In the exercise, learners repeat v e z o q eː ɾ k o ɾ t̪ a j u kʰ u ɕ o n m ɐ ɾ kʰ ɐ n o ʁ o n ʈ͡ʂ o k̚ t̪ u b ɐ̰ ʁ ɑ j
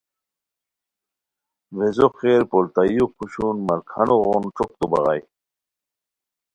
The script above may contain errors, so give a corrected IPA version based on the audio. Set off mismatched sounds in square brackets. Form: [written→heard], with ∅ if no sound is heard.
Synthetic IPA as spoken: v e z o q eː ɾ [k→p] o [ɾ→l] t̪ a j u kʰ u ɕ [o→u] n m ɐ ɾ kʰ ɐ n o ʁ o n ʈ͡ʂ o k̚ t̪ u b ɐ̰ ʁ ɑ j

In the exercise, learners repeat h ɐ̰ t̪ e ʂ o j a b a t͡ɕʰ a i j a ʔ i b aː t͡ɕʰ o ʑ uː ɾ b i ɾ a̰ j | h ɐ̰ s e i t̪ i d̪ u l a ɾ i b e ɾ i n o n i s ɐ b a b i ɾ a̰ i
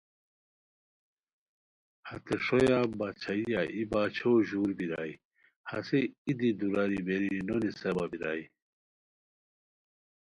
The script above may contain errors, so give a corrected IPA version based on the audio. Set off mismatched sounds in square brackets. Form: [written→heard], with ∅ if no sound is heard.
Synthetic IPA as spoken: h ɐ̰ t̪ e ʂ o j a b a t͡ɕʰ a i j a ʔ i b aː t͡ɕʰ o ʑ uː ɾ b i ɾ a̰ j | h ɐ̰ s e i [t̪→d̪] i d̪ u [l→ɾ] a ɾ i b e ɾ i n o n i s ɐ b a b i ɾ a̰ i

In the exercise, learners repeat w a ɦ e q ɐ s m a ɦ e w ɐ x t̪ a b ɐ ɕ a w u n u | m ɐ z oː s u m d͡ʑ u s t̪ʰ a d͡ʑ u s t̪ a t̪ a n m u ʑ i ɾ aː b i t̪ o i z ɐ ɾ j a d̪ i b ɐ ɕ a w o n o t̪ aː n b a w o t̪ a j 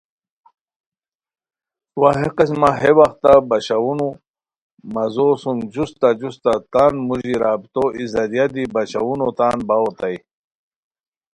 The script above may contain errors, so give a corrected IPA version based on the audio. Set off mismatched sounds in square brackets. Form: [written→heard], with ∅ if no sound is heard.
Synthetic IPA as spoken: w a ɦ e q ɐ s m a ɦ e w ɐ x t̪ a b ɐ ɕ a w u n u | m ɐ z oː s u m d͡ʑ u s [t̪ʰ→t̪] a d͡ʑ u s t̪ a t̪ a n m u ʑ i ɾ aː b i t̪ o i z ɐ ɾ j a d̪ i b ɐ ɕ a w [o→u] n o t̪ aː n b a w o t̪ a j

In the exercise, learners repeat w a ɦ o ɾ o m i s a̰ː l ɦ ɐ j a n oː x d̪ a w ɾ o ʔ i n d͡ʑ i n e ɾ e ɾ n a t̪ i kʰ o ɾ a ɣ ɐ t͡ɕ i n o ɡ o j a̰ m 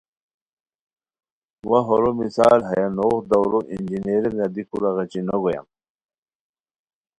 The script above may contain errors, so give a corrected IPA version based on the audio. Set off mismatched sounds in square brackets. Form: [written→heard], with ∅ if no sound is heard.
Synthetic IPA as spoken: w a ɦ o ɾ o m i s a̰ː l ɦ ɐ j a n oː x d̪ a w ɾ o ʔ i n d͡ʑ i n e ɾ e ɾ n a [t̪→d̪] i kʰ [o→u] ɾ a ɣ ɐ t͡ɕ i n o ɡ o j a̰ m

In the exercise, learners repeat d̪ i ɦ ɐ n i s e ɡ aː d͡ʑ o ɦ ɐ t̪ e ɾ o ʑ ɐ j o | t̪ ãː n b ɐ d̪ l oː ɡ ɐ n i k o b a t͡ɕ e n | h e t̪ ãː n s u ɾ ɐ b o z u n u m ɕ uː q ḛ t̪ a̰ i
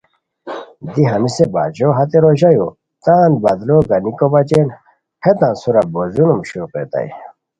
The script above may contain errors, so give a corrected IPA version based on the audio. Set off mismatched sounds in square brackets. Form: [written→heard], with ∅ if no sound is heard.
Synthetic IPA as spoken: d̪ i ɦ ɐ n i s e [ɡ→b] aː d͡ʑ o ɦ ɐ t̪ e ɾ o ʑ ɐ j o | t̪ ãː n b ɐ d̪ l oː ɡ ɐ n i k o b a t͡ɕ e n | h e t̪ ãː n s u ɾ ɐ b o z u n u m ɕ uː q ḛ t̪ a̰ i

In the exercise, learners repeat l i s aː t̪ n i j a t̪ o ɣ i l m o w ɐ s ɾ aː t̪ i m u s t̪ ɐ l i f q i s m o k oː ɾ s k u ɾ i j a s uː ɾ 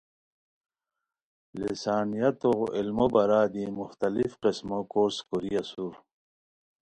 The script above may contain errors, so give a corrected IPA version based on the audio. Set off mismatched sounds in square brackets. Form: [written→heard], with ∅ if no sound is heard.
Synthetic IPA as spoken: l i s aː [t̪→∅] n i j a t̪ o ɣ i l m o [w→b] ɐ [s→∅] ɾ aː [t̪→d̪] i m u [s→x] t̪ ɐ l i f q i s m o k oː ɾ s k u ɾ i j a s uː ɾ

